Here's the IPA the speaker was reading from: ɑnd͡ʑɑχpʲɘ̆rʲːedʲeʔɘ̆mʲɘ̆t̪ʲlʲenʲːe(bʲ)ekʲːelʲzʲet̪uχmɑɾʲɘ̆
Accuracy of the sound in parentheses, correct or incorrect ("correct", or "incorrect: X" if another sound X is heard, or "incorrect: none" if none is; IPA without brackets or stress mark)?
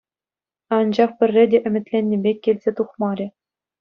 correct